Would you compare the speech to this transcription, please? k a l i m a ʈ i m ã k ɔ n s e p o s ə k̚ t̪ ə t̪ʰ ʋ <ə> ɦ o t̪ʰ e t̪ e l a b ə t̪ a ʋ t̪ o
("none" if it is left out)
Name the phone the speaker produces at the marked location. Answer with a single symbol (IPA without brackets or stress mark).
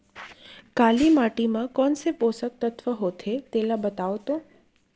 ə